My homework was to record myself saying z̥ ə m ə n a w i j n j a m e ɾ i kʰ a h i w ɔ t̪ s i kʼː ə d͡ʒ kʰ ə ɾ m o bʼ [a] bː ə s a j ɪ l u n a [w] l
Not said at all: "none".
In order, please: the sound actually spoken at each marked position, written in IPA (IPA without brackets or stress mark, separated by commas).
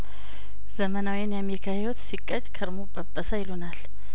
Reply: ə, none